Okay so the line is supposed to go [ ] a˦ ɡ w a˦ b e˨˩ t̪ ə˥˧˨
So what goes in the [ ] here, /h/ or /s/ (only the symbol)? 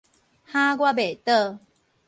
h